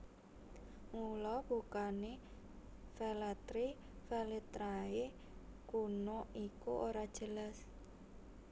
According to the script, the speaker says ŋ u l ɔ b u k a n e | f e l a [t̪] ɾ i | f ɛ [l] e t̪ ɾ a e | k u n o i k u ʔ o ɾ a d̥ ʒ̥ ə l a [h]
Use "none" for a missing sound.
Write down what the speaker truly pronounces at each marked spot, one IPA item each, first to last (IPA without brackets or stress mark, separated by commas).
t̪, l, s